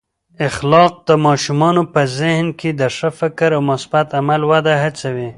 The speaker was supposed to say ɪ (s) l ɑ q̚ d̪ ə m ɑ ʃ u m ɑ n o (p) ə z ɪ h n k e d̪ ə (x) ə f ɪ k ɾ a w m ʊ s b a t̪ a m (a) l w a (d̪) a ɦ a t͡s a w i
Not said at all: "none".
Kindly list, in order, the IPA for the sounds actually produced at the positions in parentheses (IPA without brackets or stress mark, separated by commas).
x, p, ʂ, a, d̪